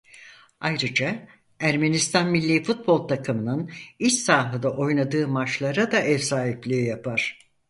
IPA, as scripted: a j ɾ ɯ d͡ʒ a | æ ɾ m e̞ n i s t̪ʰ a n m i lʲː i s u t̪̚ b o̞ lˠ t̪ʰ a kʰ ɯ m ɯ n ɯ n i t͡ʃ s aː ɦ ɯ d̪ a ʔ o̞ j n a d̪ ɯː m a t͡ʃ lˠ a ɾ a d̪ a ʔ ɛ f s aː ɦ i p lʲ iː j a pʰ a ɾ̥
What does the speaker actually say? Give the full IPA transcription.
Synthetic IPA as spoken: a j ɾ ɯ d͡ʒ a | æ ɾ m e̞ n i s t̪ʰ a n m i lʲː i f u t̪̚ b o̞ lˠ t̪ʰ a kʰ ɯ m ɯ n ɯ n i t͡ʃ s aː ɦ ɯ d̪ a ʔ o̞ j n a d̪ ɯː m a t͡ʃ lˠ a ɾ a d̪ a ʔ ɛ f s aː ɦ i p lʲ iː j a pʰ a ɾ̥